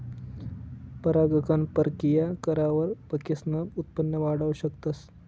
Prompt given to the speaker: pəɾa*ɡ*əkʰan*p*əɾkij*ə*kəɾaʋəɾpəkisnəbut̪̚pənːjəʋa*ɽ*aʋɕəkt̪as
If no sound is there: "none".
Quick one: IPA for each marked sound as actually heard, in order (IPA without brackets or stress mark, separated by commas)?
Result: ɡ, p, a, ɽ